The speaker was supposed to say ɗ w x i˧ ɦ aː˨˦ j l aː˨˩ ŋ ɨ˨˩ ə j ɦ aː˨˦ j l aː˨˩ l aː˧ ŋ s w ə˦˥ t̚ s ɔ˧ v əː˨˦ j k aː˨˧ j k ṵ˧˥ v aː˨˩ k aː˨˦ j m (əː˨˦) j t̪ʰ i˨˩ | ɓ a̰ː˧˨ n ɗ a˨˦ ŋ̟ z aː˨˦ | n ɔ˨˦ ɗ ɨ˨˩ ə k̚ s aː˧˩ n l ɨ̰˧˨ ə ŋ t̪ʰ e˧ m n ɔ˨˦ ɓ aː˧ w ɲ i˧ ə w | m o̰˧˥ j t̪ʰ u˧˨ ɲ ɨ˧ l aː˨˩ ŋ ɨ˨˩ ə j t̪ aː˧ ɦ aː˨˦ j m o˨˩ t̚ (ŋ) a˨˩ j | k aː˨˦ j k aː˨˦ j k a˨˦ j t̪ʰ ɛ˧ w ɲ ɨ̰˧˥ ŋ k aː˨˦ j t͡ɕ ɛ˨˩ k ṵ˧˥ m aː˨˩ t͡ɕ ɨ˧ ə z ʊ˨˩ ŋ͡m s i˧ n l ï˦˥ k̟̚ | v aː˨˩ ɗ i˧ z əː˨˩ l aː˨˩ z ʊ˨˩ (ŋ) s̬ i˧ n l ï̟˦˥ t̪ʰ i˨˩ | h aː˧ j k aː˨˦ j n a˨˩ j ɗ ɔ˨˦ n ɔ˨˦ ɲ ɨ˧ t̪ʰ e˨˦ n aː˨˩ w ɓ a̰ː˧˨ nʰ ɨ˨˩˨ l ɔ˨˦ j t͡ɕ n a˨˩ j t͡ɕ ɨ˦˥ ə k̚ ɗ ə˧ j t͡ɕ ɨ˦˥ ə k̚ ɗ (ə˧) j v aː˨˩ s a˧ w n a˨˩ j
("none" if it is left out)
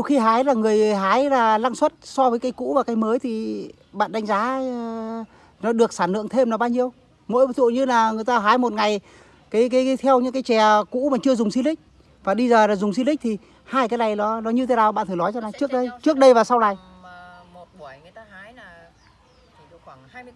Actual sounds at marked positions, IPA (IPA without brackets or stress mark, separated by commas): əː˨˦, ŋ, ŋ͡m, ə˧